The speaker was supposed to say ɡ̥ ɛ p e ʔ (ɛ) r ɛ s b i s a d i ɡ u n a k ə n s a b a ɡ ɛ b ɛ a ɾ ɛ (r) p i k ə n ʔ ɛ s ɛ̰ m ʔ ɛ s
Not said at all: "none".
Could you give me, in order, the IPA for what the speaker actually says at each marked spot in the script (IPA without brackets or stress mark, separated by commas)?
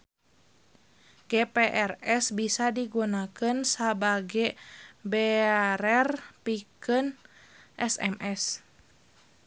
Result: ɛ, r